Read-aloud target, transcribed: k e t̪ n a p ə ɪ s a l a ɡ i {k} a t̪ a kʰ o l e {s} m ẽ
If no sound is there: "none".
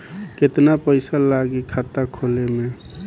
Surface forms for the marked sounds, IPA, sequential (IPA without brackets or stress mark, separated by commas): kʰ, none